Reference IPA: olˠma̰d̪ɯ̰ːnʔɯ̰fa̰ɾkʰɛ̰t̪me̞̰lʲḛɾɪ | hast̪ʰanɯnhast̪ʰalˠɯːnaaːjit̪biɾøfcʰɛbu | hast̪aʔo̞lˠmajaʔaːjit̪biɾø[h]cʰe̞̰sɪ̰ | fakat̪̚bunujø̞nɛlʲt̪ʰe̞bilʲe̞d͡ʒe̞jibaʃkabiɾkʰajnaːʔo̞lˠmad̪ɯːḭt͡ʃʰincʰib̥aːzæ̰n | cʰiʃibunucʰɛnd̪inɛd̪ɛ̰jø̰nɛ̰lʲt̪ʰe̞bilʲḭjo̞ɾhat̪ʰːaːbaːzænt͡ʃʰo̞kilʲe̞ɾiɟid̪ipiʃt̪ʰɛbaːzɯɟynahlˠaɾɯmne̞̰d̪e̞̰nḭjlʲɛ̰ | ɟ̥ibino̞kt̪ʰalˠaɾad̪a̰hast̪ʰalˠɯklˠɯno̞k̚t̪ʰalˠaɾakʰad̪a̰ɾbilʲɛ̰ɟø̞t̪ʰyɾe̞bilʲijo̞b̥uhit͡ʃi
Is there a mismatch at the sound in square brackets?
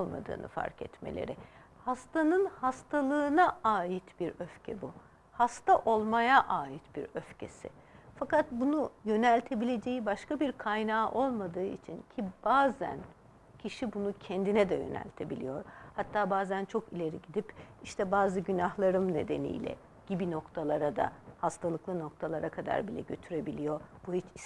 yes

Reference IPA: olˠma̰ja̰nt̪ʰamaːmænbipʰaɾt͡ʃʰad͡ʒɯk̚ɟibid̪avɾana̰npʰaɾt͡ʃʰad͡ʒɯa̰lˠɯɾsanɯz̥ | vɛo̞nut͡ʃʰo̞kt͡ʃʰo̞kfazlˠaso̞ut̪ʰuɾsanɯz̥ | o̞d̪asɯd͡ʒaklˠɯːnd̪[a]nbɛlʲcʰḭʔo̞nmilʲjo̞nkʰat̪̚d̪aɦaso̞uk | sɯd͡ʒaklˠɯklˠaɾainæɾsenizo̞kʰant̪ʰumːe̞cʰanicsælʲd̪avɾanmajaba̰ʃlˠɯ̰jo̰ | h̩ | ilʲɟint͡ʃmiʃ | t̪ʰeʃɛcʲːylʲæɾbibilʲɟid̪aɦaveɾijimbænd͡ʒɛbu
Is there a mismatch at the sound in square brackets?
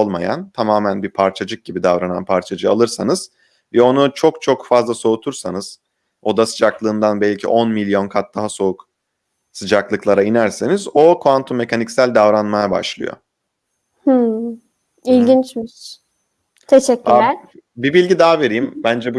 no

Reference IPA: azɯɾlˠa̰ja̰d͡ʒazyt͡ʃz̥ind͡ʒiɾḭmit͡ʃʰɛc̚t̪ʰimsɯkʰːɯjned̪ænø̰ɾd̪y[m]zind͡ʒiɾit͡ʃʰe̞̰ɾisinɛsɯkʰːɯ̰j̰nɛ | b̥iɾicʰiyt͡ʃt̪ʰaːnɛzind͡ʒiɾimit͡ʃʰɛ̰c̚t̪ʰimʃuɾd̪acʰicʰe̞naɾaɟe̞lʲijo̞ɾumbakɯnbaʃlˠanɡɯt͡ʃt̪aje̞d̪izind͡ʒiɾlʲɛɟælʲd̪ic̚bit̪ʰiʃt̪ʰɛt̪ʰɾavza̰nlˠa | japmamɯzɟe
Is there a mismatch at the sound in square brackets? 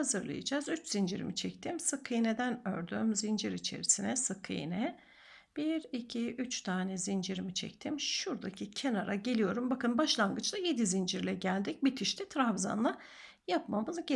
no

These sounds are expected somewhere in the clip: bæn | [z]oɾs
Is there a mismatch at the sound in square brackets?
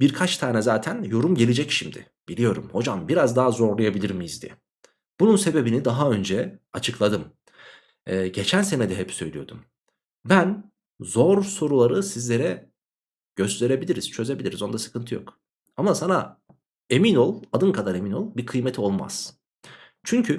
no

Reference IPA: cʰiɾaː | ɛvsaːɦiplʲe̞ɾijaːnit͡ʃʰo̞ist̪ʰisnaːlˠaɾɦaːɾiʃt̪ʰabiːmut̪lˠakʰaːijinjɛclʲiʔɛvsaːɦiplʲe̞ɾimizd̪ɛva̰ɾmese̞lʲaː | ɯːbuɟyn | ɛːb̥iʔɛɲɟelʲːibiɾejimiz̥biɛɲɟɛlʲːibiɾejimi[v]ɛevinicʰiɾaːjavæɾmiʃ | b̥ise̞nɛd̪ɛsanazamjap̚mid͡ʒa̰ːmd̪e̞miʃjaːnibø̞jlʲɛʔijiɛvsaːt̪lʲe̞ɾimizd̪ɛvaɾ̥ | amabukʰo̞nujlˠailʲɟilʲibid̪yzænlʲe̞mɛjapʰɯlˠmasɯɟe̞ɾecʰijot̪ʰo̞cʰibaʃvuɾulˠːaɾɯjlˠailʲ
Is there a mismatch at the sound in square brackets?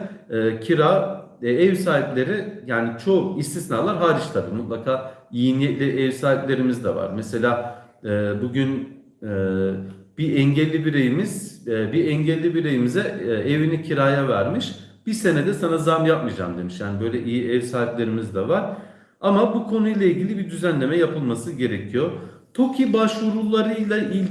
yes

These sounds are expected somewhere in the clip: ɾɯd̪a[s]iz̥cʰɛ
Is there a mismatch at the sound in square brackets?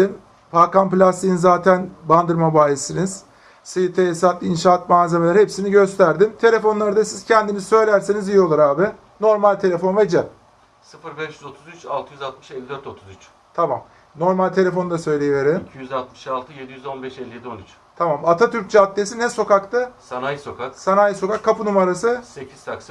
no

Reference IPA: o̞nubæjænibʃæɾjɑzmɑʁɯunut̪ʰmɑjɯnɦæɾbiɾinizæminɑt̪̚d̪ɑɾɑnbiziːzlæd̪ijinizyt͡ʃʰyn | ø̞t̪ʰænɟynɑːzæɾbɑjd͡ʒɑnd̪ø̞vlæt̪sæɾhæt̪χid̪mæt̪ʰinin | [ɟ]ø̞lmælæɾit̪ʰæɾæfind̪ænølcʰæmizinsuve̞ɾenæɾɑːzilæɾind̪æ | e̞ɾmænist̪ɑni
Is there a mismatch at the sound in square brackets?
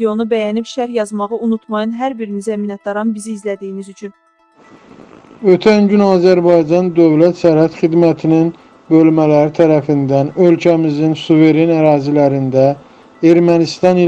yes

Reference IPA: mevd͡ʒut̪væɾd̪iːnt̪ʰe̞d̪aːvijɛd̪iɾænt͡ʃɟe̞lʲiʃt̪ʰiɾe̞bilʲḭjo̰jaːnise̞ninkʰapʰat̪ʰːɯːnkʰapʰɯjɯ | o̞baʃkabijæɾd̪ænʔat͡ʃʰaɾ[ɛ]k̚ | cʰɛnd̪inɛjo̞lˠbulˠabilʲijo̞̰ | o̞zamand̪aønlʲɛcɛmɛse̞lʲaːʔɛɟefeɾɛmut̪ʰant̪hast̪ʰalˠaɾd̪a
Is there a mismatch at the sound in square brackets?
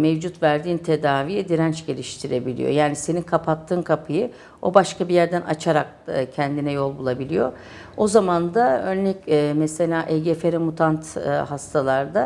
yes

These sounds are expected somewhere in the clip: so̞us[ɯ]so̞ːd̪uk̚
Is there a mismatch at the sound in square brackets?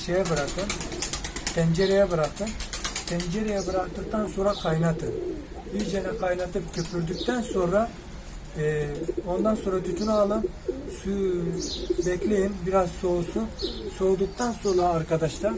yes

